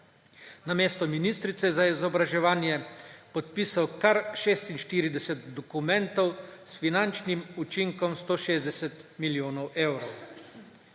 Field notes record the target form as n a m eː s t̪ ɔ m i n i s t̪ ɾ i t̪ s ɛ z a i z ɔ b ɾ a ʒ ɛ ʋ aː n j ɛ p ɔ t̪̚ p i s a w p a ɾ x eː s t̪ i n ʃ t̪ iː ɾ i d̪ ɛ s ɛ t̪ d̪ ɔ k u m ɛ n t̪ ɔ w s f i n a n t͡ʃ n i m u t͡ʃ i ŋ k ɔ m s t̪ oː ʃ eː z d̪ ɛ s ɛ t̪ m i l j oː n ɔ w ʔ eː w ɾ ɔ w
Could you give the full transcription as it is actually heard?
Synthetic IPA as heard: n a m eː s t̪ ɔ m i n i s t̪ ɾ i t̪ s ɛ z a i z ɔ b ɾ a ʒ ɛ ʋ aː n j ɛ p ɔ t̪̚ p i s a w k a ɾ ʃ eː s t̪ i n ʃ t̪ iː ɾ i d̪ ɛ s ɛ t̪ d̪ ɔ k u m ɛ n t̪ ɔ w s f i n a n t͡ʃ n i m u t͡ʃ i ŋ k ɔ m s t̪ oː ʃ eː z d̪ ɛ s ɛ t̪ m i l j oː n ɔ w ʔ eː w ɾ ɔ w